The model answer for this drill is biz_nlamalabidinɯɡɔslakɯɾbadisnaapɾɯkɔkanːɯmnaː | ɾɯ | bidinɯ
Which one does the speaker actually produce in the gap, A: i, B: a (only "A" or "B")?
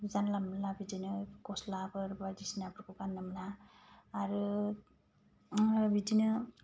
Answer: B